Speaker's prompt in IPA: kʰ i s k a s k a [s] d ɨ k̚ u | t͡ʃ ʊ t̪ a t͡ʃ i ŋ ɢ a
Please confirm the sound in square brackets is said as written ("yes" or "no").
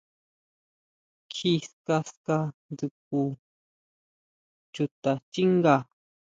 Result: no